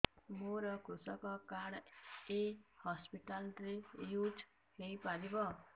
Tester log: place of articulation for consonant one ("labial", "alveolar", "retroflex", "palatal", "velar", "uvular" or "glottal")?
labial